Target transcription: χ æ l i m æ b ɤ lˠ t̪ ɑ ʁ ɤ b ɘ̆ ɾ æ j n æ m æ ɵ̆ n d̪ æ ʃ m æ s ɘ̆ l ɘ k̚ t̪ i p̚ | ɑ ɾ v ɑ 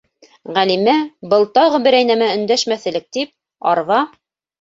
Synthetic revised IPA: ʁ æ l i m æ b ɤ lˠ t̪ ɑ ʁ ɤ b ɘ̆ ɾ æ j n æ m æ ɵ̆ n d̪ æ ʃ m æ θ ɘ̆ l ɘ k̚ t̪ i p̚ | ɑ ɾ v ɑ